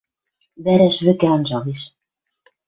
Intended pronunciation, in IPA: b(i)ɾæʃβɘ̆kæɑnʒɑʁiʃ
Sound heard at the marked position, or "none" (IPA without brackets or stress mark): æ